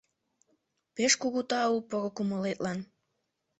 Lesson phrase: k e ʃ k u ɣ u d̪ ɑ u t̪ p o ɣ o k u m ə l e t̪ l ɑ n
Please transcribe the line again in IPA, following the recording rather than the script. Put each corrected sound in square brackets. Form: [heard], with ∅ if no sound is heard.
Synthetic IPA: [p] e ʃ k u ɣ u [t̪] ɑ u [∅] p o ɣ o k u m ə l e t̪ l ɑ n